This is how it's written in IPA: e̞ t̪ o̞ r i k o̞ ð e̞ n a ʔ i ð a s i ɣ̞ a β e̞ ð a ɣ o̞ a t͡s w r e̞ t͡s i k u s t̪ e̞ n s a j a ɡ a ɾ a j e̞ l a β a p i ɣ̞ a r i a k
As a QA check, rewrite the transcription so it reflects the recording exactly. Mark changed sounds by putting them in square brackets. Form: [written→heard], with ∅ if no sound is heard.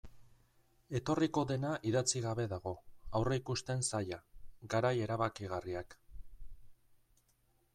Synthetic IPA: e̞ t̪ o̞ r i k o̞ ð e̞ n a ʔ i ð a [s→t͡s] i ɣ̞ a β e̞ ð a ɣ o̞ a [t͡s→∅] w r e̞ [t͡s→∅] i k u s t̪ e̞ n s a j a ɡ a ɾ a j e̞ [l→ɾ] a β a [p→k] i ɣ̞ a r i a k